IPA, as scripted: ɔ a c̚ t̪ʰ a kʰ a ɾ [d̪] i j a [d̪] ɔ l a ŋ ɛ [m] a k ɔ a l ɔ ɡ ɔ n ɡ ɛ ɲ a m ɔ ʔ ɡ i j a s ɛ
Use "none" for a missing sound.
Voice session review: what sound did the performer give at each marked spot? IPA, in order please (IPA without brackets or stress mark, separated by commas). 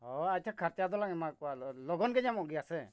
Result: t̪, d̪, m